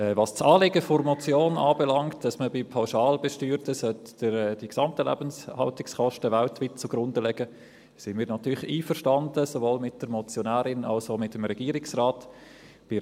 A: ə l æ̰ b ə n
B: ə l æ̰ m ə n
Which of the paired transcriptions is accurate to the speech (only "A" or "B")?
A